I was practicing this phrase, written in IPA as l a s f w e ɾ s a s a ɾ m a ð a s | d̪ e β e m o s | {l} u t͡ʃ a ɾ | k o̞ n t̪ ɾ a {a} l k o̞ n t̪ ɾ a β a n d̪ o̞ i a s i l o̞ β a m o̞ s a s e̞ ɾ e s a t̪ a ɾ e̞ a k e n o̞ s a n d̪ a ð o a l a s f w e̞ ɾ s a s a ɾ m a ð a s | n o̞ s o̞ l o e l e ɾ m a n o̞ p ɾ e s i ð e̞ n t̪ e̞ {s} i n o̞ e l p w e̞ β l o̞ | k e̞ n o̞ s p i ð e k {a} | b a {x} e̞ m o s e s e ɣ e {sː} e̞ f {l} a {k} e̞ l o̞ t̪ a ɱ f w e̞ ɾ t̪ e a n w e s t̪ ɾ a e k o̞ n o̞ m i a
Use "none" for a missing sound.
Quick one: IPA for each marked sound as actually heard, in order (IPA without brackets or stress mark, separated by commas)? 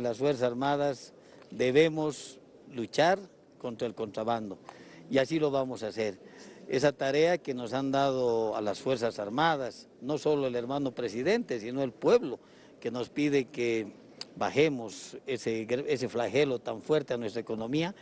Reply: l, e, s, e, x, s, l, x